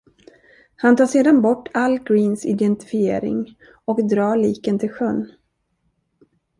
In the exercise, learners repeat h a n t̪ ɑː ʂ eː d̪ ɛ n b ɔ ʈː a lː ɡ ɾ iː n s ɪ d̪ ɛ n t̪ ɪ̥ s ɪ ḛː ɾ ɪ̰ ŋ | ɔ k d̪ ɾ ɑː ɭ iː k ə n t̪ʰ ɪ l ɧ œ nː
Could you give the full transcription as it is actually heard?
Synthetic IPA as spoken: h a n t̪ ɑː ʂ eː d̪ a n b ɔ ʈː a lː ɡ ɾ iː n s ɪ d̪ ɛ n t̪ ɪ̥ f ɪ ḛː ɾ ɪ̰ ŋ | ɔ k d̪ ɾ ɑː ɭ iː k ə n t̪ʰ ɪ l ɧ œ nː